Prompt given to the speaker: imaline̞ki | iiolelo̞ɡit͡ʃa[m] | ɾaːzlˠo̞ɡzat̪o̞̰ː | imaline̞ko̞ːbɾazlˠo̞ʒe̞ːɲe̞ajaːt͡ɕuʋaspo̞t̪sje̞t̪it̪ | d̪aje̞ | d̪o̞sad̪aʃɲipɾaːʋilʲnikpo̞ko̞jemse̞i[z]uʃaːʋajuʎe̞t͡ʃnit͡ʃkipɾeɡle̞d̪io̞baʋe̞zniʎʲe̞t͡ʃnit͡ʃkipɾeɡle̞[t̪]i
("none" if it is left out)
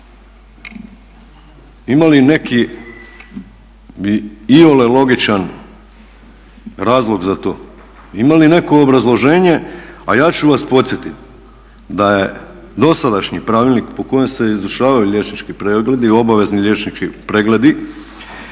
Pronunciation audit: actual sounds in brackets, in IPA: n, z, d̪

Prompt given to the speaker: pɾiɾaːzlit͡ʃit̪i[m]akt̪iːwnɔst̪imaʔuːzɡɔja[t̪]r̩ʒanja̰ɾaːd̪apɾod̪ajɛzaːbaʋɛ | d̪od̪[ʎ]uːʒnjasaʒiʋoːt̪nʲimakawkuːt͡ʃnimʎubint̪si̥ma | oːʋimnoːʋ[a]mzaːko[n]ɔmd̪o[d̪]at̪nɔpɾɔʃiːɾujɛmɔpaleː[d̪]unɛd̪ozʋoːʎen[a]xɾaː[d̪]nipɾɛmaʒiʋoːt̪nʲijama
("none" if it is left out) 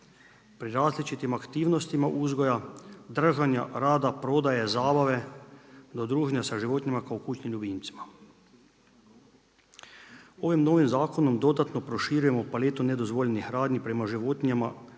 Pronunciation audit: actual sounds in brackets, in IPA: m, d̪, ɾ, i, n, d̪, t̪, i, d̪

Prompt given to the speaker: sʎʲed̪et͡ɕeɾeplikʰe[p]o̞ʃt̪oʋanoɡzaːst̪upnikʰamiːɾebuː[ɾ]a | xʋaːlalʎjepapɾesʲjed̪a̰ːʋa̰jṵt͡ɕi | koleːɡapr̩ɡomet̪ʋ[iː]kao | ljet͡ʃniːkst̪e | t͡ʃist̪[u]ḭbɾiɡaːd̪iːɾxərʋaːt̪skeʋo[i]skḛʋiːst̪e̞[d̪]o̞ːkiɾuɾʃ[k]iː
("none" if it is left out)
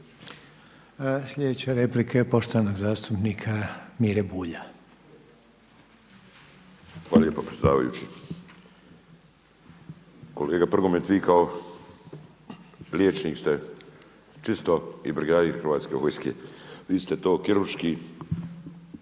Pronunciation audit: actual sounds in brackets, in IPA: p, ʎ, iː, o, j, t̪, k

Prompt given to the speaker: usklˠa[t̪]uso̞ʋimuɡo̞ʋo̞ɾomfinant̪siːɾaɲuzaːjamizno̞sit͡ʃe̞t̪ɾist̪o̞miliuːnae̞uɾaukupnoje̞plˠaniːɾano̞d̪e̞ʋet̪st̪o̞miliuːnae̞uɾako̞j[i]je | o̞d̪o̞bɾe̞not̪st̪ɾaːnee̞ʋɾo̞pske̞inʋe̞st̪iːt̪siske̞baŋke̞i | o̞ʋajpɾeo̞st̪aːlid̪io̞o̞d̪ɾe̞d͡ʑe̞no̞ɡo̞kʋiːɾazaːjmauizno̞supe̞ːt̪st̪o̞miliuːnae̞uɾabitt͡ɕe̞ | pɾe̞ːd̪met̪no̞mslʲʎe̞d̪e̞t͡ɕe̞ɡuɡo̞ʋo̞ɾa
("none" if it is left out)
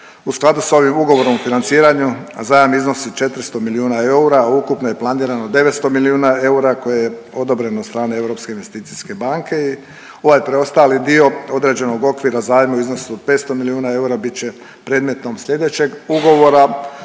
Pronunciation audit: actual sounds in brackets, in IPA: d̪, e

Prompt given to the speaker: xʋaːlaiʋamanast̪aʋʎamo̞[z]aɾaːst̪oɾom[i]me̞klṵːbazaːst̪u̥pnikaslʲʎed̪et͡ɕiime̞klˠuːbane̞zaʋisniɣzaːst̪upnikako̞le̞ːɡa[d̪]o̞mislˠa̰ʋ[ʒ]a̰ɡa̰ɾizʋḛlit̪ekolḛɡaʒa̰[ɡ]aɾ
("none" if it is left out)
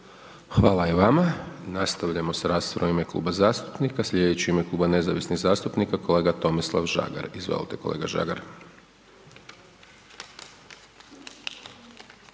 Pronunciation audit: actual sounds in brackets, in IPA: s, i, t̪, ʒ, ɡ

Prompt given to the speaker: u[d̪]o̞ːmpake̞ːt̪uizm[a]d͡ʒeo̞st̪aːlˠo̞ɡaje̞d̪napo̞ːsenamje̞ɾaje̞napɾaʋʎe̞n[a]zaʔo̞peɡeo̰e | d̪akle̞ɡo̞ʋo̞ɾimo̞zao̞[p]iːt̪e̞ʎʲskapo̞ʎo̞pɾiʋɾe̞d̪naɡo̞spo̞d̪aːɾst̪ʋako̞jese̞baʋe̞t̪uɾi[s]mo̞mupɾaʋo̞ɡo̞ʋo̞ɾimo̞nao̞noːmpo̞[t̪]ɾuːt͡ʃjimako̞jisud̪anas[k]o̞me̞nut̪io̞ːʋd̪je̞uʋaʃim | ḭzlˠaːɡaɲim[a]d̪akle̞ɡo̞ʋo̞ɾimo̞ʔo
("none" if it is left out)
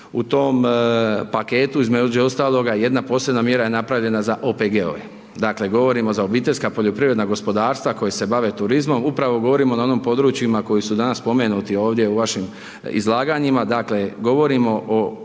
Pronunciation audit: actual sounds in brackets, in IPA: t̪, e, a, b, z, d̪, p, a

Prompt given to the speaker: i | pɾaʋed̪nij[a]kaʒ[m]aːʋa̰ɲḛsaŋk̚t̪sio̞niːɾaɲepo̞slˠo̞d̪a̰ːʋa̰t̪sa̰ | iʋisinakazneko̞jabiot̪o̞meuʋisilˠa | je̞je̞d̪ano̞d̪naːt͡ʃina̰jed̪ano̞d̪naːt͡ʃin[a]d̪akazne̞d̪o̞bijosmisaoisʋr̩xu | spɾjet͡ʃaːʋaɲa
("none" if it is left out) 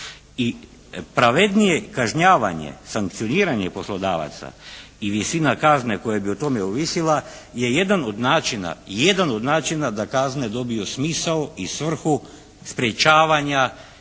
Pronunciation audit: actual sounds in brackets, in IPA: e, ɲ, a

